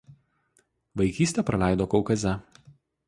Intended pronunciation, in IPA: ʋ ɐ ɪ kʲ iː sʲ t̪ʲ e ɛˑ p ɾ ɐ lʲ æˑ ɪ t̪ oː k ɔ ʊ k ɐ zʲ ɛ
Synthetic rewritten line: ʋ ɐ ɪ kʲ iː sʲ t̪ʲ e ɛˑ p ɾ ɐ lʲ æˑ ɪ d̪ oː k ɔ ʊ k ɐ zʲ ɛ